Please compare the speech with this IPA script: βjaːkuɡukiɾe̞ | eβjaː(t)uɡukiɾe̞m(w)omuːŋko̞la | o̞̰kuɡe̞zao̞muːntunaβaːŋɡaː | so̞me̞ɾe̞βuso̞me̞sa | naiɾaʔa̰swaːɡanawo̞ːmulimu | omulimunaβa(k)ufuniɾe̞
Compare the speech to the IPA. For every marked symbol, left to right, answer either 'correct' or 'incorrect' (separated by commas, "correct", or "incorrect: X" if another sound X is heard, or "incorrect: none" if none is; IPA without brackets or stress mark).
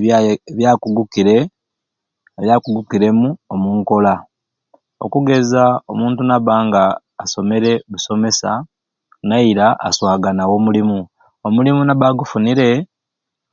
incorrect: k, incorrect: u, incorrect: ɡ